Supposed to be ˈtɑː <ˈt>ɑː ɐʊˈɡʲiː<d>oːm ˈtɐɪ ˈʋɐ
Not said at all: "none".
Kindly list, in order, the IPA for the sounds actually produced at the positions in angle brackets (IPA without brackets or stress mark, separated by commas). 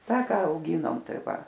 k, n